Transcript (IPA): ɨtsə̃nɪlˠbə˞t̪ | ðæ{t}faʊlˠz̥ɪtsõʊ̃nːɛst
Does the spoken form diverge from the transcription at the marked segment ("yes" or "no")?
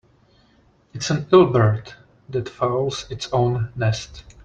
no